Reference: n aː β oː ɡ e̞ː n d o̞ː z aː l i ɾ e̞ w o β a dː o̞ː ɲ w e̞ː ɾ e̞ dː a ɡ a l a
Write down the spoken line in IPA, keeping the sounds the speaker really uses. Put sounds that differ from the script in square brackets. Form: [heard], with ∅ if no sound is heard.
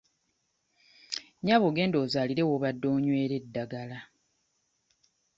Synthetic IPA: [ɲ] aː β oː ɡ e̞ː n d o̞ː z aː l i ɾ e̞ w o β a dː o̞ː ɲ w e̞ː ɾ e̞ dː a ɡ a l a

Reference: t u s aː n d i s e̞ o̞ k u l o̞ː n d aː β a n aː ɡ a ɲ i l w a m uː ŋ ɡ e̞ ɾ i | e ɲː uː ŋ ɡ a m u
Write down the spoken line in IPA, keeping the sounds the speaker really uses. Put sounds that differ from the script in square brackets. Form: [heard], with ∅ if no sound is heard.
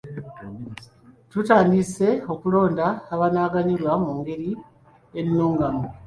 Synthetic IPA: t u [t] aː n d i s e̞ o̞ k u l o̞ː n d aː β a n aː ɡ a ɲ i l w a m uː ŋ ɡ e̞ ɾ i | e [nː] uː ŋ ɡ a m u

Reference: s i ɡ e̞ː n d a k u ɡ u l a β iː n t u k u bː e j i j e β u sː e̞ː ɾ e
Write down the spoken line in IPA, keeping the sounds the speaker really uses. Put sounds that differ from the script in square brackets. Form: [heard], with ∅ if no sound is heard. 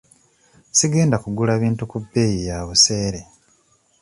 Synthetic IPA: s i ɡ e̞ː n d a k u ɡ u l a β iː n t u k u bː e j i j [a] β u [s] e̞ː ɾ e

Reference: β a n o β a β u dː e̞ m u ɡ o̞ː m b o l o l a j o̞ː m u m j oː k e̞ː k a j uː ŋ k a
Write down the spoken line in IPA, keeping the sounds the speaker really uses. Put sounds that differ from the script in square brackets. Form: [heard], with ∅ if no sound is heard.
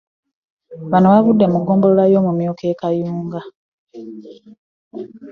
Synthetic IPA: β a n o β a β u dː e̞ m u ɡ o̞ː m b o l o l a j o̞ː m u m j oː k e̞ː k a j uː ŋ [ɡ] a

